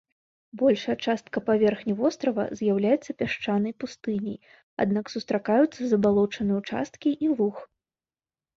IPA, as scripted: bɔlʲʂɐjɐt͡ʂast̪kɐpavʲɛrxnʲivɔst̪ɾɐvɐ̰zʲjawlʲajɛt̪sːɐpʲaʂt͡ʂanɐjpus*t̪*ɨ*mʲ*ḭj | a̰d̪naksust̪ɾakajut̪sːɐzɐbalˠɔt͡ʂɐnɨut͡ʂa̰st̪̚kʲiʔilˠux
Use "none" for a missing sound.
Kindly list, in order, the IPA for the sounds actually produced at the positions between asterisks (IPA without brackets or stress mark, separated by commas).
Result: t̪, nʲ